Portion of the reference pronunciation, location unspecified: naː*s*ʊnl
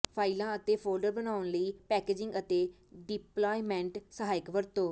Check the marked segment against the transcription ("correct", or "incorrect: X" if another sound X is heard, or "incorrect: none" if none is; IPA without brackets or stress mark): incorrect: none